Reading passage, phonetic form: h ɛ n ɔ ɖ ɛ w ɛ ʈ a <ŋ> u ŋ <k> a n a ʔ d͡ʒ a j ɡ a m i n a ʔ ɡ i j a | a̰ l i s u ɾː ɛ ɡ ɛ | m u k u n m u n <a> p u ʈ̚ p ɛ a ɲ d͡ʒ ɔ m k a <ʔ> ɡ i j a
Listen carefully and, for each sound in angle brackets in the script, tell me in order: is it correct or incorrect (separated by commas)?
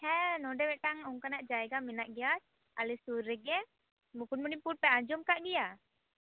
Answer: correct, correct, incorrect, correct